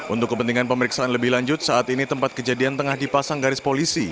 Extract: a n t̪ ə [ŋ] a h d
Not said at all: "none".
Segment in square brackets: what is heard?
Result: ŋ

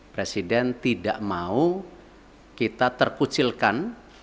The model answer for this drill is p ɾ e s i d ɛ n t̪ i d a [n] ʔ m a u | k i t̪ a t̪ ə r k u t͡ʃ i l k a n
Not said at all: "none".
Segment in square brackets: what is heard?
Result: none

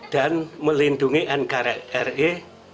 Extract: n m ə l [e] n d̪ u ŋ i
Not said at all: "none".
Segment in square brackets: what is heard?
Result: i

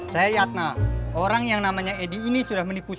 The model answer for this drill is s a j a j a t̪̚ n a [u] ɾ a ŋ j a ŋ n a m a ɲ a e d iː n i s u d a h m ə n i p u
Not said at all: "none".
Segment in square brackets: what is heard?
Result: o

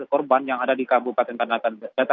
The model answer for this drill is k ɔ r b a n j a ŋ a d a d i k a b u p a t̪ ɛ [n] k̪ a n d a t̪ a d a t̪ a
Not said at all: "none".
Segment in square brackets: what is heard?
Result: n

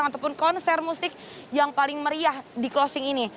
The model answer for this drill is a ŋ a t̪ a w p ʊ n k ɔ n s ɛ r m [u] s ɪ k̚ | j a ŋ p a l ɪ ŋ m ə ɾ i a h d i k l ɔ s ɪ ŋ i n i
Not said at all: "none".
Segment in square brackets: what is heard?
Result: u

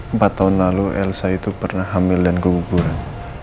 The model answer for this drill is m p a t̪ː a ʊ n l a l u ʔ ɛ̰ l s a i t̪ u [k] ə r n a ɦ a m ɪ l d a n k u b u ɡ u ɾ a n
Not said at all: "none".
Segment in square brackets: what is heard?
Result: p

